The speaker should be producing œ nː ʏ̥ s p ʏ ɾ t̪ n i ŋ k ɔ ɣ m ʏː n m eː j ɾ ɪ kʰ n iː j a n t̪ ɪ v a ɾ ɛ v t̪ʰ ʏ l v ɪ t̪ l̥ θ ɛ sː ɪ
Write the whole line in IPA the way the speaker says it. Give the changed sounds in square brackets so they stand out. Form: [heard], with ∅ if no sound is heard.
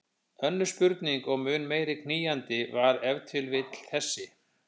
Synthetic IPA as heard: œ nː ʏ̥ s p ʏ ɾ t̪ n i ŋ k ɔ ɣ m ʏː n m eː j ɾ ɪ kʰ n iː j a n t̪ ɪ v a ɾ ɛ v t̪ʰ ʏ l v ɪ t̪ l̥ θ ɛ sː ɪ